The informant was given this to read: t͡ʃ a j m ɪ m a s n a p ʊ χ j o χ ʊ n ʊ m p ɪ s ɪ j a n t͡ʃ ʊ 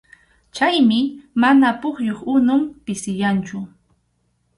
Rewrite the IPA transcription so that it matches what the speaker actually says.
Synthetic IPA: t͡ʃ a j m ɪ m a n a p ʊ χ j o χ ʊ n ʊ m p ɪ s ɪ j a n t͡ʃ ʊ